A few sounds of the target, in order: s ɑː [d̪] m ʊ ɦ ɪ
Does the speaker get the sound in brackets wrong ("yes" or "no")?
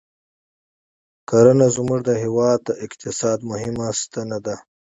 no